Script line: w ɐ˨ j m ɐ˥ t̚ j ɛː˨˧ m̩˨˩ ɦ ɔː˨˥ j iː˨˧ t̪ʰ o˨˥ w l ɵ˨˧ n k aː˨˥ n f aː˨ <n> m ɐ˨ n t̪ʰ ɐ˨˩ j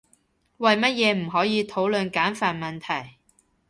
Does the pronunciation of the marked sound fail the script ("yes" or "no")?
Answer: no